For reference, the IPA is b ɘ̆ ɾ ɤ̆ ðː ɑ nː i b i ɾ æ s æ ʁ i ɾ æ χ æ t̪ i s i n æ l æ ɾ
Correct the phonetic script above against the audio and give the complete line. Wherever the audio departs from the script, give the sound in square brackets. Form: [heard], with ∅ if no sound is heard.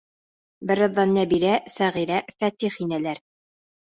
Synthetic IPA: b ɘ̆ ɾ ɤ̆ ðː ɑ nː [æ] b i ɾ æ s æ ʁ i ɾ æ [f] æ t̪ i [χ] i n æ l æ ɾ